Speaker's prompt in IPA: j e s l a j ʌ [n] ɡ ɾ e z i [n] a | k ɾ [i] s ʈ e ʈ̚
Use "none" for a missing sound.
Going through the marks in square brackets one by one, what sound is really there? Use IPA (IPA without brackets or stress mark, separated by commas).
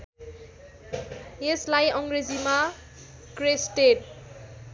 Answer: ŋ, m, e